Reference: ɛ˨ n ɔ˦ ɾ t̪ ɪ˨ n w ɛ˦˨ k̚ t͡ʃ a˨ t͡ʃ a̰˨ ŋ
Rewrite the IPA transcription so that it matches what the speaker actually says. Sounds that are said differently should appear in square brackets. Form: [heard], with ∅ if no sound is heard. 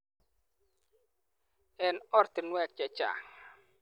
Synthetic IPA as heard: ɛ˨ n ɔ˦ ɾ t̪ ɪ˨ n w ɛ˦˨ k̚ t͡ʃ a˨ t͡ʃ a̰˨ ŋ